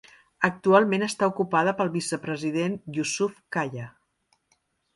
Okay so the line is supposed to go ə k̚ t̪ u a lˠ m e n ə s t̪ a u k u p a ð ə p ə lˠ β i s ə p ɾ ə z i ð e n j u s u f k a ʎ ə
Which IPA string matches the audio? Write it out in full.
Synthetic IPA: ə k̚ t̪ u a lˠ m e n ə s t̪ a u k u p a ð ə p ə lˠ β i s ə p ɾ ə z i ð e n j u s u f k a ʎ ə